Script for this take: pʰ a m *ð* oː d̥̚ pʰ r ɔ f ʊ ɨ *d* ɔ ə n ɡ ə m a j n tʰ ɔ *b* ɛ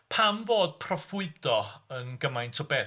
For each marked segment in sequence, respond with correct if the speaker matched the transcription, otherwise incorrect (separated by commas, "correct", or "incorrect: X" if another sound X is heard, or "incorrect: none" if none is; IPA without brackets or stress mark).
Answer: incorrect: v, correct, correct